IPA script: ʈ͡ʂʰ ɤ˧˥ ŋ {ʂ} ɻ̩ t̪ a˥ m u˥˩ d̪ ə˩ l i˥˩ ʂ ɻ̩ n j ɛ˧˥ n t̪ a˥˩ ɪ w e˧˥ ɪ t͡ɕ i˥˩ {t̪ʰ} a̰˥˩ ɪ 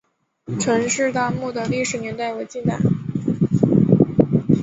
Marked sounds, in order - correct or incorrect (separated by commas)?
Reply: correct, incorrect